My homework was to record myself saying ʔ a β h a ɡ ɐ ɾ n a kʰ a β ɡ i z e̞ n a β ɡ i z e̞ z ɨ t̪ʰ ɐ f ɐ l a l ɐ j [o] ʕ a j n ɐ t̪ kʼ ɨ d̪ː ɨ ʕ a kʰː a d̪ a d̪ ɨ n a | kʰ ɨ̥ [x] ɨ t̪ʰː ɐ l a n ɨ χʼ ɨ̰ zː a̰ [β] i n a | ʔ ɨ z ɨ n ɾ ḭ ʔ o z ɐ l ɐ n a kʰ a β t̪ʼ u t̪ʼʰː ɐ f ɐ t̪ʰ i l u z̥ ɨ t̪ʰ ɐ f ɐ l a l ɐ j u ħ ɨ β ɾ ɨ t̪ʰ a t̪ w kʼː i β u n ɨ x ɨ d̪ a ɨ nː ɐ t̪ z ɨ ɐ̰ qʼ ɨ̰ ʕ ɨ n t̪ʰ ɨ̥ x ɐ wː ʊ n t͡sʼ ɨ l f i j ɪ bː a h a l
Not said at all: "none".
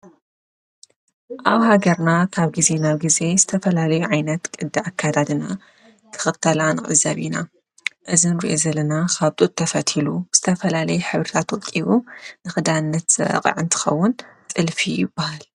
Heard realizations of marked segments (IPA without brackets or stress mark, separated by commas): u, x, β